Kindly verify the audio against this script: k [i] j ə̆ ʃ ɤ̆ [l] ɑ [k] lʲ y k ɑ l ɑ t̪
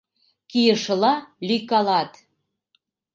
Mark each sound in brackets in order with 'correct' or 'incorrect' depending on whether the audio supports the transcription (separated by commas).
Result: correct, correct, incorrect